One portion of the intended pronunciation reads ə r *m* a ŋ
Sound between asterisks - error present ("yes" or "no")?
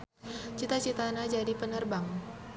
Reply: yes